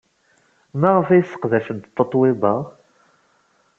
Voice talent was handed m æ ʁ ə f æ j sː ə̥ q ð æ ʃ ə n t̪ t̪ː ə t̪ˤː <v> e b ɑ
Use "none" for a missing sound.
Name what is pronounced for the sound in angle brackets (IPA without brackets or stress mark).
w